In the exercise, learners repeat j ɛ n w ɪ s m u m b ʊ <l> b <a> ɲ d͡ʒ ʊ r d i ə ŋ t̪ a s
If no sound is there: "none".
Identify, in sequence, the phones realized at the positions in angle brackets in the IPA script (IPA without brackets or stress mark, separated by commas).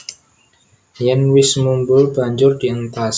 l, a